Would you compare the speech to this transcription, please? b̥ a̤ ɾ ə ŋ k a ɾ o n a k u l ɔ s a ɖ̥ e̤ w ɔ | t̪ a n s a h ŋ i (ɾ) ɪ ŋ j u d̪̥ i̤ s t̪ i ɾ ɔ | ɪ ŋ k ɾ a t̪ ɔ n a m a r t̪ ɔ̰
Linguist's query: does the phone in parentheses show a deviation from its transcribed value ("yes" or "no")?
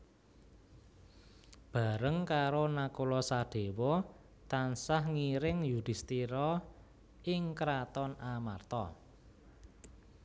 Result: no